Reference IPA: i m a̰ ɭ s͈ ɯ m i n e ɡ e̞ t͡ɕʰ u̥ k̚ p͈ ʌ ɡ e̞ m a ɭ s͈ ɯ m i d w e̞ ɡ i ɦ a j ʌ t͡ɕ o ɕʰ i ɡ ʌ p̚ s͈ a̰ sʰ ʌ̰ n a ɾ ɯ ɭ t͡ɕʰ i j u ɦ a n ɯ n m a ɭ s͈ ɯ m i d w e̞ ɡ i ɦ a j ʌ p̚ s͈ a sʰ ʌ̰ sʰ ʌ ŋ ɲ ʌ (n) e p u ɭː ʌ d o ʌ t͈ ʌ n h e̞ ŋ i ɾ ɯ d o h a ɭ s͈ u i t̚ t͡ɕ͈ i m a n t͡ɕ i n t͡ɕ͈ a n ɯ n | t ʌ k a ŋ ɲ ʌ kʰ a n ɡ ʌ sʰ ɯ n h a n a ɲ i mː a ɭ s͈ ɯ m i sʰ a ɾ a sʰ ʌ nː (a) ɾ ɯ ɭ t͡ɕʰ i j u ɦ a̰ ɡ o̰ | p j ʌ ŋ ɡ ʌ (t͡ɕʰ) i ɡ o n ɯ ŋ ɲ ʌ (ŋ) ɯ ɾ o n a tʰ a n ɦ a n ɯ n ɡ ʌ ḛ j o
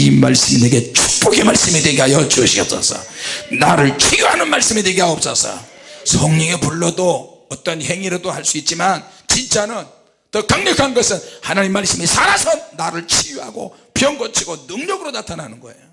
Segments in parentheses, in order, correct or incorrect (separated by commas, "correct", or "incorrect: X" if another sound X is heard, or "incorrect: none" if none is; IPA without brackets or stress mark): incorrect: ŋ, correct, correct, incorrect: ɡ